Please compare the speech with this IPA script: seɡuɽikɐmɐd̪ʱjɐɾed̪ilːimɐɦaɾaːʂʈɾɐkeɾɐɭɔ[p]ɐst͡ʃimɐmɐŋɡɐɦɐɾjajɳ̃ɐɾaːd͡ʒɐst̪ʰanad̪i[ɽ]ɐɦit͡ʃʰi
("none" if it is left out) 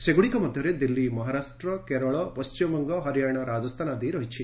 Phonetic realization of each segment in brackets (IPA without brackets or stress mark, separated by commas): p, ɾ